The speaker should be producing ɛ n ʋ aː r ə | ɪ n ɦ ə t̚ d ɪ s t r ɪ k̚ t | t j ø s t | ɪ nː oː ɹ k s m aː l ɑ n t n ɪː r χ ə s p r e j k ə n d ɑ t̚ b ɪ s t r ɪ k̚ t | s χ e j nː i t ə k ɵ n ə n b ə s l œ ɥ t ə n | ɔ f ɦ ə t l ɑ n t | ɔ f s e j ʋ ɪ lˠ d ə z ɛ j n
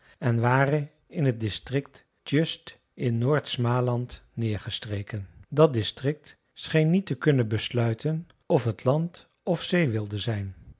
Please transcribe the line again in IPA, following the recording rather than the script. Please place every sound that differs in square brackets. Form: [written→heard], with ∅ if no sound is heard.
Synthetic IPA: ɛ n ʋ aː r ə | ɪ n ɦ ə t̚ d ɪ s t r ɪ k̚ t | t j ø s t | ɪ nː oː ɹ [k→t] s m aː l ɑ n t n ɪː [r→ɹ] χ ə s [p→t] r e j k ə n d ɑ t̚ [b→d] ɪ s t r ɪ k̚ t | s χ e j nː i t ə k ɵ n ə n b ə s l œ ɥ t ə n | ɔ f ɦ ə t l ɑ n t | ɔ f s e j ʋ ɪ lˠ d ə z ɛ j n